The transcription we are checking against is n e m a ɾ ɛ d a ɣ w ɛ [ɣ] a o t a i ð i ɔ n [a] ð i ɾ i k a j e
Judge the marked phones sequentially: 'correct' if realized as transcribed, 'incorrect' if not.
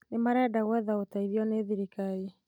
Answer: incorrect: ð, incorrect: e

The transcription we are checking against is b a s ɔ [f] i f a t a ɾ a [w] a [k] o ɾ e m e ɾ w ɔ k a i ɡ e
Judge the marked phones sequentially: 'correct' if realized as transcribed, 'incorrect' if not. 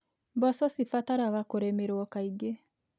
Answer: incorrect: s, incorrect: ɣ, correct

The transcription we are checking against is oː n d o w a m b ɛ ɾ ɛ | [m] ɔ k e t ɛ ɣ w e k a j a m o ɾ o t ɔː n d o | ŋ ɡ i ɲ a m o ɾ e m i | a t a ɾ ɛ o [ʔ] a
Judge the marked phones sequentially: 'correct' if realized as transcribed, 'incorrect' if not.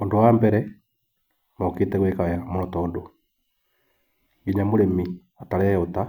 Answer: correct, incorrect: t

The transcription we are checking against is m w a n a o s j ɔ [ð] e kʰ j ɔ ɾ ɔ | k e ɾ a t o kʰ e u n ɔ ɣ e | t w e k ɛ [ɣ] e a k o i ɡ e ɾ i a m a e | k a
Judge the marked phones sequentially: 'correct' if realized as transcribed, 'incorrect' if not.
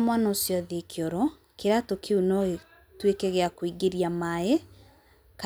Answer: correct, correct

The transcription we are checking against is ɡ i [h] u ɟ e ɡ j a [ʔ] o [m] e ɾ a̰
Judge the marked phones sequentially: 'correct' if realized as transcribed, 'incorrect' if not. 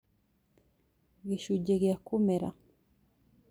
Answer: incorrect: ʃ, incorrect: k, correct

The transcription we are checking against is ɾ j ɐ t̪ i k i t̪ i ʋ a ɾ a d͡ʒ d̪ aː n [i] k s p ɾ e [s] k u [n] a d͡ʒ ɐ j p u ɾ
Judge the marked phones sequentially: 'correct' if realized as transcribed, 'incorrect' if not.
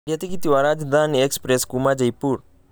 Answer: incorrect: e, correct, incorrect: m

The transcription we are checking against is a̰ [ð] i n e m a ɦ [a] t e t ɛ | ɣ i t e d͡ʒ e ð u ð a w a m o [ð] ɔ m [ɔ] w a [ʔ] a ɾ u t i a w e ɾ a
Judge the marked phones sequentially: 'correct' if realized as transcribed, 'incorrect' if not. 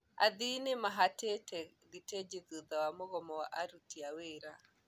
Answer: correct, correct, incorrect: ɣ, correct, correct

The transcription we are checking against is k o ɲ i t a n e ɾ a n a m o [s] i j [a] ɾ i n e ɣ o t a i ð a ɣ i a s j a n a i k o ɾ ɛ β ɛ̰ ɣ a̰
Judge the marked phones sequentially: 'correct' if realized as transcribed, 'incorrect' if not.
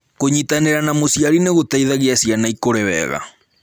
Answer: correct, correct

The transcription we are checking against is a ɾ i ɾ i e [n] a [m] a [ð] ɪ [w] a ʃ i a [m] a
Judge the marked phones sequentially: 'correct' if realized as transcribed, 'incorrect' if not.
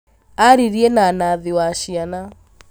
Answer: correct, incorrect: n, correct, correct, incorrect: n

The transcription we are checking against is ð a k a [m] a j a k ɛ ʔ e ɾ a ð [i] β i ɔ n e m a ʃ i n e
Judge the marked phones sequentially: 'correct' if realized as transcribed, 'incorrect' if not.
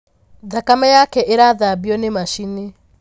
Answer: correct, incorrect: a

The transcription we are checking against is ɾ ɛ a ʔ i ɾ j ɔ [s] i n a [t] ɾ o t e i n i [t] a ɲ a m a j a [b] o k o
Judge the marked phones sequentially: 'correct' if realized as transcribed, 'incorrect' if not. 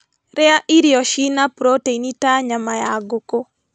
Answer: incorrect: ʃ, incorrect: p, correct, incorrect: ɡ

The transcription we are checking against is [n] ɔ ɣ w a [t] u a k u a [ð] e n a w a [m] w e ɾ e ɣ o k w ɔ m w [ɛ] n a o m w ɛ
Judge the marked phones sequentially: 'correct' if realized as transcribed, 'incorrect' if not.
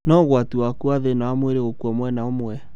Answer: correct, correct, correct, correct, correct

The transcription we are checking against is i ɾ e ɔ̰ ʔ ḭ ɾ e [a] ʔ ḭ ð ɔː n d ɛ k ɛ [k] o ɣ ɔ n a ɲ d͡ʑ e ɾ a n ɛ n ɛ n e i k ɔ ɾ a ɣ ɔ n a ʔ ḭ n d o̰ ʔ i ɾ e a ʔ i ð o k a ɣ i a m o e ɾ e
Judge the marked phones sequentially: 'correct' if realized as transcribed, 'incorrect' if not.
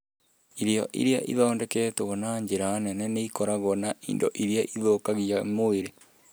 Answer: correct, incorrect: t

